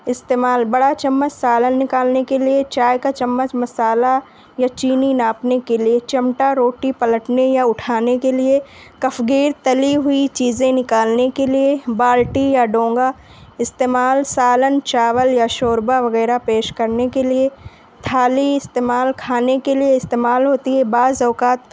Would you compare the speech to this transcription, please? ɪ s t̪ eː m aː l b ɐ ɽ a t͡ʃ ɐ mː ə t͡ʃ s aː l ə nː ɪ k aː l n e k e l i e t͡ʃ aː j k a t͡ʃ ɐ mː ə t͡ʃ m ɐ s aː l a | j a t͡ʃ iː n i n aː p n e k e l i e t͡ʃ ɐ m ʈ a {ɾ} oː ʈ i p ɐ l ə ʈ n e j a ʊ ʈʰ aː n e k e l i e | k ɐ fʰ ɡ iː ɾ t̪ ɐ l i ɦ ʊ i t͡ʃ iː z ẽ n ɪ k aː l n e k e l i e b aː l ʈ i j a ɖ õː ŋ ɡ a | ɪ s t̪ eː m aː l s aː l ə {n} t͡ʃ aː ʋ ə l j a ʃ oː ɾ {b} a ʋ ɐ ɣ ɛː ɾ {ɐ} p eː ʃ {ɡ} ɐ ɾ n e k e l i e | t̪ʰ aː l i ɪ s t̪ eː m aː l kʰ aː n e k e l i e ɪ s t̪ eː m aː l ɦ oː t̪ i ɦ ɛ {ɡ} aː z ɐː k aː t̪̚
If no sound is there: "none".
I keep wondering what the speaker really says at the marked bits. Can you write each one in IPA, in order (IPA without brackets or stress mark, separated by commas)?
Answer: ɾ, n, b, a, k, b